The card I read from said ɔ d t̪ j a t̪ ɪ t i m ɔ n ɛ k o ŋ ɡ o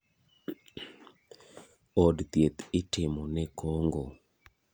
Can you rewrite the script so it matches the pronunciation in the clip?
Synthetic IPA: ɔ d t̪ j e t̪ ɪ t ɪ m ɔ n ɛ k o ŋ ɡ o

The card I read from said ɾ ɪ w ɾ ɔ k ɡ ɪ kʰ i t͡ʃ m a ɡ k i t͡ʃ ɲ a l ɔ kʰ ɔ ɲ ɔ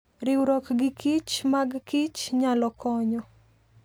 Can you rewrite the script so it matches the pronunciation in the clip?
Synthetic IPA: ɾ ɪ w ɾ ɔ k ɡ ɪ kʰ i t͡ʃ m a ɡ k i t͡ʃ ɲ a l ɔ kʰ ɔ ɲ ɔ

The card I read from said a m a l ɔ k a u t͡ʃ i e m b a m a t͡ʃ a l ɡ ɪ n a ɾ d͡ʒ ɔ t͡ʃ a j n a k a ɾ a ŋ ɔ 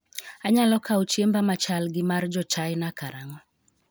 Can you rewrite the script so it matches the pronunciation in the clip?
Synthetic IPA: a ɲ a l ɔ k a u t͡ʃ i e m b a m a t͡ʃ a l ɡ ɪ m a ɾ d͡ʒ ɔ t͡ʃ a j n a k a ɾ a ŋ ɔ

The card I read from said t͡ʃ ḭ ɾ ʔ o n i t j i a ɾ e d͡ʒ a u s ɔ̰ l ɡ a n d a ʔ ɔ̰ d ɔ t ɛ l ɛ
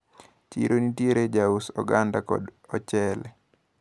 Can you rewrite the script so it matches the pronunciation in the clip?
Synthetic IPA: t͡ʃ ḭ ɾ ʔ o n i t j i e ɾ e d͡ʒ a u s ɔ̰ ɡ a n d a k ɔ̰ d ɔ t͡ʃ ɛ l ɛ

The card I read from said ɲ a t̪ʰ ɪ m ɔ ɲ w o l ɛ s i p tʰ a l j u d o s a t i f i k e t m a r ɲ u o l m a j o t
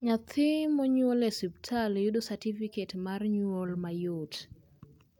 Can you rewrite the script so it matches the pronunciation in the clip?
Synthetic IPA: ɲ a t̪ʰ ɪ m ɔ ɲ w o l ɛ s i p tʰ a l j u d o s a t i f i k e t m a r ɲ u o l m a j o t

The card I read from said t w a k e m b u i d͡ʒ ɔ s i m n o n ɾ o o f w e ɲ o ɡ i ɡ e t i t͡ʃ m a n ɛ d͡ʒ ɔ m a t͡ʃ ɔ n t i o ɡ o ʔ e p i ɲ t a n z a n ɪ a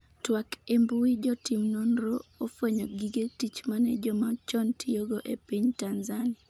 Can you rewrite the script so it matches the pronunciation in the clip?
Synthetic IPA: t w a k e m b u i d͡ʒ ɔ t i m n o n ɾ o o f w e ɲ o ɡ i ɡ e t i t͡ʃ m a n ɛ d͡ʒ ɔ m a t͡ʃ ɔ n t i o ɡ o ʔ e p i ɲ t a n z a n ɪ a

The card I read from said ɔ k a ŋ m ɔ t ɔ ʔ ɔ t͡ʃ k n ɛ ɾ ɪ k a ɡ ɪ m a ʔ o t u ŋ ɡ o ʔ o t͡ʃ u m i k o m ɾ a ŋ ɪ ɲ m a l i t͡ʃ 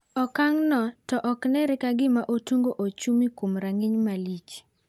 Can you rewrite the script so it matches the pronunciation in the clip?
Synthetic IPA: ɔ k a ŋ n ɔ t ɔ ʔ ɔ k n ɛ ɾ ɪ k a ɡ ɪ m a ʔ o t u ŋ ɡ o ʔ o t͡ʃ u m i k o m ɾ a ŋ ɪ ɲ m a l i t͡ʃ

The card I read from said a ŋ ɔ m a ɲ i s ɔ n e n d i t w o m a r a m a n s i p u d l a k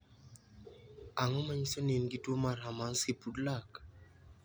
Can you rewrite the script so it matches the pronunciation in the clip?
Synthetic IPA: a ŋ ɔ m a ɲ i s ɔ n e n ɡ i t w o m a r a m a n s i p u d l a k

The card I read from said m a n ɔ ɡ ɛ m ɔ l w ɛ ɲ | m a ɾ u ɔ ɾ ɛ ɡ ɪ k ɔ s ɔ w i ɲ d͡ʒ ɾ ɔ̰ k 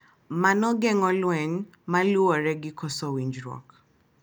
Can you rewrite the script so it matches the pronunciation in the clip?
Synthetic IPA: m a n ɔ ɡ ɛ ŋ ɔ l w ɛ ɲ | m a l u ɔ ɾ ɛ ɡ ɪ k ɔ s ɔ w i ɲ d͡ʒ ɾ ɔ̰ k

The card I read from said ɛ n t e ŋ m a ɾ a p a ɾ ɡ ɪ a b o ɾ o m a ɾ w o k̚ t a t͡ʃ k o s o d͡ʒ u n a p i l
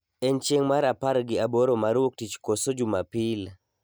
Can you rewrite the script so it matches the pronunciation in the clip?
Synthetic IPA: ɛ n t͡ʃ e ŋ m a ɾ a p a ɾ ɡ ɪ a b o ɾ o m a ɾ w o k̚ t i t͡ʃ k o s o d͡ʒ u m a p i l

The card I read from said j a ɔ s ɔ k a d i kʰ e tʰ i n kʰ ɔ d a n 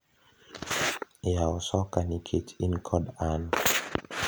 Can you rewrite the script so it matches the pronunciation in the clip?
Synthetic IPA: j a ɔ s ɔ k a n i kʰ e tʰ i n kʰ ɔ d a n

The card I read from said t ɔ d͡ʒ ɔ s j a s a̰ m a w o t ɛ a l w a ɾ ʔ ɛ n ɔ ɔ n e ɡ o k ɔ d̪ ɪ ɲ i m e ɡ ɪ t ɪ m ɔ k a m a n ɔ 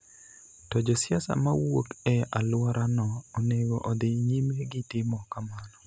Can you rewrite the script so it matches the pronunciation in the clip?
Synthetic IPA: t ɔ d͡ʒ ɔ s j a s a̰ m a w o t ɛ a l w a ɾ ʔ a n ɔ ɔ n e ɡ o ʔ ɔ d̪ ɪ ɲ i m e ɡ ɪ t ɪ m ɔ k a m a n ɔ

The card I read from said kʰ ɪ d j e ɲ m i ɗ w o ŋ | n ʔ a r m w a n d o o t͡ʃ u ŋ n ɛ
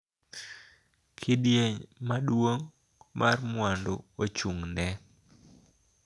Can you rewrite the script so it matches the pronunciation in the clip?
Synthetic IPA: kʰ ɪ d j e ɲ m a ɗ w o ŋ | m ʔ a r m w a n d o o t͡ʃ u ŋ n ɛ

